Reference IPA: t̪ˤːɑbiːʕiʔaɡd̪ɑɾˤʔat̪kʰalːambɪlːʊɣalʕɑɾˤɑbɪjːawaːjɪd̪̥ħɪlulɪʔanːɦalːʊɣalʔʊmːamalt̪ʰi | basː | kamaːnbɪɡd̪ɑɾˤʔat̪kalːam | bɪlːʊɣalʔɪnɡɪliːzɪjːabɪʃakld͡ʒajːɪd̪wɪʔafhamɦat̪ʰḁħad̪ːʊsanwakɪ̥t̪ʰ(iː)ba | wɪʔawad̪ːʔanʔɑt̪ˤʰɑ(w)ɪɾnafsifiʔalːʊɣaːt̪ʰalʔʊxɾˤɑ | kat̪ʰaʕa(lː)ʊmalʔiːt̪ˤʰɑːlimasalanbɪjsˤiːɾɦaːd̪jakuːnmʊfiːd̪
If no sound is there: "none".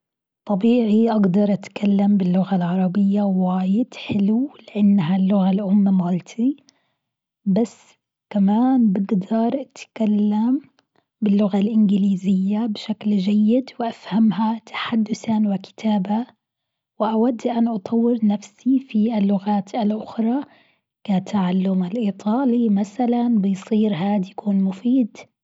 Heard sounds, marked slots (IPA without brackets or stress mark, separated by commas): aː, wː, lː